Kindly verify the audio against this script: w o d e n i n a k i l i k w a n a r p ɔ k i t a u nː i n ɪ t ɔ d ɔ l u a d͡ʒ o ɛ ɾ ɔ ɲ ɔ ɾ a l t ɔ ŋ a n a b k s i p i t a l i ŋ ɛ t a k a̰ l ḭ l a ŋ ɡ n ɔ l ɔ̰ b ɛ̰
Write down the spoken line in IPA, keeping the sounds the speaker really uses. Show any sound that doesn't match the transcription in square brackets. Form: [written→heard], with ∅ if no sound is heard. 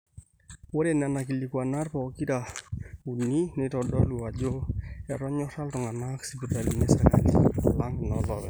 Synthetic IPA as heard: w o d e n [i→a] n a k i l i k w a n a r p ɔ k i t a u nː i n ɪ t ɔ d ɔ l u a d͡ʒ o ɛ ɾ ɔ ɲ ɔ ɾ a l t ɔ ŋ a n a [b→∅] k s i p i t a l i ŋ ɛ [t→s] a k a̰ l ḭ l a ŋ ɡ n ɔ l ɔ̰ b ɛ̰